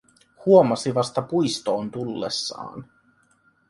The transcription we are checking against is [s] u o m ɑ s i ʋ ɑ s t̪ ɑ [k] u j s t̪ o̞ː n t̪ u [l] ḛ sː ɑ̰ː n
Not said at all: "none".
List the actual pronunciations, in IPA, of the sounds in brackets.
h, p, lː

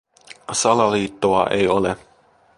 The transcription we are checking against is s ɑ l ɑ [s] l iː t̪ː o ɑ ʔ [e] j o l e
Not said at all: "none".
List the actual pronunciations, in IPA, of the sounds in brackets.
none, e

